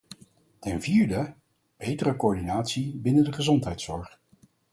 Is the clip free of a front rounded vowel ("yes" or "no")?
yes